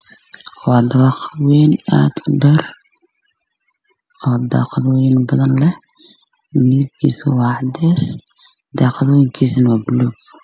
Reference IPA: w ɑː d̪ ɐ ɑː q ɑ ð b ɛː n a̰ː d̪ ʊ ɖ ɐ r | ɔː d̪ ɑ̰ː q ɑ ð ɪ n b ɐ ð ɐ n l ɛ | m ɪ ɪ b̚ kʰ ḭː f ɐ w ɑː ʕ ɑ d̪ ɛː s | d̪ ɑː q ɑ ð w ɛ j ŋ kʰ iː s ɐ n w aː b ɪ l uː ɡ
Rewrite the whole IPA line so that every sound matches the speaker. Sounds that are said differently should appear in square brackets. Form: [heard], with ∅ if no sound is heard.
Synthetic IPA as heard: w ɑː d̪ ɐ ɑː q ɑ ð [w] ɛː n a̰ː d̪ ʊ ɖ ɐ r | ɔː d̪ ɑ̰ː q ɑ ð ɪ n b ɐ ð ɐ n l ɛ | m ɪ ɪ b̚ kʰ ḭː [s] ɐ w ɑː ʕ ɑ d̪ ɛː s | d̪ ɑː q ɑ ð w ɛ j ŋ kʰ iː s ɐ n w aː b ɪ l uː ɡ

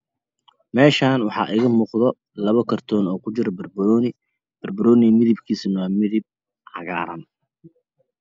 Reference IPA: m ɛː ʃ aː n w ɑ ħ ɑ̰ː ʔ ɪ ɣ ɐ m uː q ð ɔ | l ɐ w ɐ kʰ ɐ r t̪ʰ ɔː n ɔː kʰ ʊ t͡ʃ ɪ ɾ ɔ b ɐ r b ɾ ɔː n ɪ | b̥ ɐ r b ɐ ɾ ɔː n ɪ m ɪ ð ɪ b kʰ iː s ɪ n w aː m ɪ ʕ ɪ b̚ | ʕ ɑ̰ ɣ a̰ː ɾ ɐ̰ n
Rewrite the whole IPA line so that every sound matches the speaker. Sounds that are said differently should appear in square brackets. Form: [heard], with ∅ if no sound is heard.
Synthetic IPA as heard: m ɛː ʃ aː n w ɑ ħ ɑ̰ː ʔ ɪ ɣ ɐ m uː q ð ɔ | l ɐ [β] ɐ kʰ ɐ r t̪ʰ ɔː n ɔː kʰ ʊ t͡ʃ ɪ ɾ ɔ b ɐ r b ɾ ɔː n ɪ | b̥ ɐ r b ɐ ɾ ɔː n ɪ m ɪ ð ɪ b kʰ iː s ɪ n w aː m ɪ [ð] ɪ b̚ | ʕ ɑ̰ ɣ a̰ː ɾ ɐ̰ n

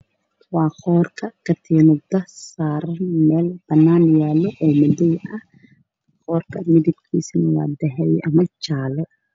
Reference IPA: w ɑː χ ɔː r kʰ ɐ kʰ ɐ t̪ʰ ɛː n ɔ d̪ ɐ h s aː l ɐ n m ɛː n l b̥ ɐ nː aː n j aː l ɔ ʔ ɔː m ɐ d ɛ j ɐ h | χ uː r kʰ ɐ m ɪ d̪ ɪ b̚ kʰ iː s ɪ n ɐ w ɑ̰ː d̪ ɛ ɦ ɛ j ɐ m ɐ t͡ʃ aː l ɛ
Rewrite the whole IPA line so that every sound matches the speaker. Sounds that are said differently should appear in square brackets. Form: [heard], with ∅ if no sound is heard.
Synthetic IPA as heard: w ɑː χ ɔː r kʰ ɐ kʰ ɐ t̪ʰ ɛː n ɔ d̪ ɐ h s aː [ɾ] ɐ n m ɛː [∅] l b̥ ɐ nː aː n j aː l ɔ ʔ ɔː m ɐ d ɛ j ɐ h | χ [ɔː] r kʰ ɐ m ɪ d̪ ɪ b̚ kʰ iː s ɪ n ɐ w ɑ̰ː d̪ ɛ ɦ ɛ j ɐ m ɐ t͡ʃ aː l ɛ

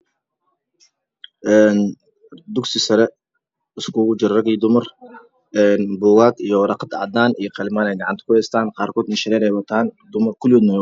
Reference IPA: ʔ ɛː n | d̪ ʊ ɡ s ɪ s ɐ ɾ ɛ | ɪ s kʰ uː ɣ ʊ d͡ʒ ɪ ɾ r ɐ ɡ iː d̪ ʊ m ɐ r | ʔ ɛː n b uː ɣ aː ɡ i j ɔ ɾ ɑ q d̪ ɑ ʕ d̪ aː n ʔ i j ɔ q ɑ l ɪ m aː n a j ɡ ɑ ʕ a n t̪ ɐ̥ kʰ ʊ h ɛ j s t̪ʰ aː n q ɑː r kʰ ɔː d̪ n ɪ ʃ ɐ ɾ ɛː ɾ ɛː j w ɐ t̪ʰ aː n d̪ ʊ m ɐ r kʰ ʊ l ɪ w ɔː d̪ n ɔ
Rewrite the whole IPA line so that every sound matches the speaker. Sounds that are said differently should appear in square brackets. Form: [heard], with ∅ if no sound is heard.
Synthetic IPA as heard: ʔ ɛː n | d̪ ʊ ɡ s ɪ s ɐ ɾ ɛ | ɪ s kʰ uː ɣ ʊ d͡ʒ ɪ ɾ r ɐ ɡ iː d̪ ʊ m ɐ r | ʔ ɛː n b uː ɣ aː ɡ i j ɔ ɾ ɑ q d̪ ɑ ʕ d̪ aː n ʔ i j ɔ q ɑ l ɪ m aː n [ɛ] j ɡ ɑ ʕ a n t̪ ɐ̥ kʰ ʊ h ɛ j s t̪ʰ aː n q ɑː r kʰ ɔː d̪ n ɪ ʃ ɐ ɾ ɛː ɾ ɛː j w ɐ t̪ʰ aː n d̪ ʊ m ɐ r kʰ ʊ l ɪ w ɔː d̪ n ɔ

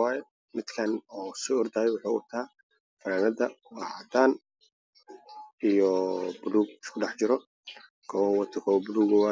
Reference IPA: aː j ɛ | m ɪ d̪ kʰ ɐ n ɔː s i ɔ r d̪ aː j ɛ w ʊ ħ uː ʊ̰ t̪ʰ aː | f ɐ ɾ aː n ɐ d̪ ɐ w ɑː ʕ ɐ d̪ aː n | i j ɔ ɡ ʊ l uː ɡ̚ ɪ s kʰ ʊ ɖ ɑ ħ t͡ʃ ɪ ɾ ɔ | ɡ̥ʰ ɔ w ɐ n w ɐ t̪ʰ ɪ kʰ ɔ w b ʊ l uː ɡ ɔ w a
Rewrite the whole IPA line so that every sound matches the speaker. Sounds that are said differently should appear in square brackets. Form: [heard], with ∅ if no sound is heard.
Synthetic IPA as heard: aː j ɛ | m ɪ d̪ kʰ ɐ n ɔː s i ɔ r d̪ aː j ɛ w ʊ ħ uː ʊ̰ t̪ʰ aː | f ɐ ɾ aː n ɐ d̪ ɐ w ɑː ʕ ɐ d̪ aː n | i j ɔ [b] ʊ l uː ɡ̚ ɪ s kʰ ʊ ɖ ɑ ħ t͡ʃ ɪ ɾ ɔ | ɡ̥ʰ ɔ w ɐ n w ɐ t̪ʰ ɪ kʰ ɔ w b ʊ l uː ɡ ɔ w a

